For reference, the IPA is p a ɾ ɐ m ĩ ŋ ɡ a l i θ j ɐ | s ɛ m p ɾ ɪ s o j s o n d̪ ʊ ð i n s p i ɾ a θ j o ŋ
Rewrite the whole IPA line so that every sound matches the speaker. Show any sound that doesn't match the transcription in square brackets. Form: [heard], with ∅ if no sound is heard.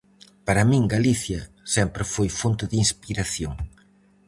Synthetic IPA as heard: p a ɾ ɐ m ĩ ŋ ɡ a l i θ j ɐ | s ɛ m p ɾ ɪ [f] o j [f] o n [t̪] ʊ ð i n s p i ɾ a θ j o ŋ